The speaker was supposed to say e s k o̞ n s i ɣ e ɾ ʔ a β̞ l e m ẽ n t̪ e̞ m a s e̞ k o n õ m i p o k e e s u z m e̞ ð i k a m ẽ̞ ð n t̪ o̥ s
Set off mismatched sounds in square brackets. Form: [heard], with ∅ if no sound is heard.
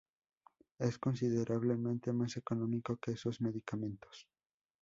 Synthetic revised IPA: e s k o̞ n s i [ð] e ɾ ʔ a β̞ l e m ẽ n t̪ e̞ m a s e̞ k o n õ m i [k] o k e e s [o] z m e̞ ð i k a m ẽ̞ [∅] n t̪ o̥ s